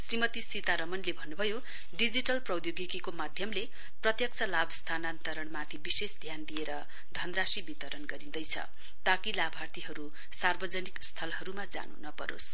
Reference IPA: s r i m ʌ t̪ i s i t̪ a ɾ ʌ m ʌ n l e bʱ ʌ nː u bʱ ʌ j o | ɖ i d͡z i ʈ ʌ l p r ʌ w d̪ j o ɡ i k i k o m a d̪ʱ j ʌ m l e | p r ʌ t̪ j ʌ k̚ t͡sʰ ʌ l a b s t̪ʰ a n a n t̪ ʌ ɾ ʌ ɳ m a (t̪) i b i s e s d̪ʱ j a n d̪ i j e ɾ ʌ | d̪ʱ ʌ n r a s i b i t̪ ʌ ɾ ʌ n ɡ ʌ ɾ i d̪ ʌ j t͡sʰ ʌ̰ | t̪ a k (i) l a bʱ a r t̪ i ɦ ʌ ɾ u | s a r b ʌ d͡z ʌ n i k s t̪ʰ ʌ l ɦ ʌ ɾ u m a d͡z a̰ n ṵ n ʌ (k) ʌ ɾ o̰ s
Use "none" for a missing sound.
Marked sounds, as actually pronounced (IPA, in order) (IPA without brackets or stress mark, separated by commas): t̪ʰ, i, p